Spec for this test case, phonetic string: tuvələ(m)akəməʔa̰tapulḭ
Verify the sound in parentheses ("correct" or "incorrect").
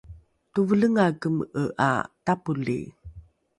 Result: incorrect